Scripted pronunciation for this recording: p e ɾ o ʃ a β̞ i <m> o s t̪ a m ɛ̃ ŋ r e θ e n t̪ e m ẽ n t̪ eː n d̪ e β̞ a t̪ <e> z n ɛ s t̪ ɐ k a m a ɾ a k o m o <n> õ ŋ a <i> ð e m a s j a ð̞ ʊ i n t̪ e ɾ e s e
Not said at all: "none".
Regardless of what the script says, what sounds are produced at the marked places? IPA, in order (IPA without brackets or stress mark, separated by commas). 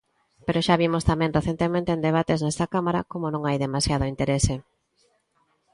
m, e, n, j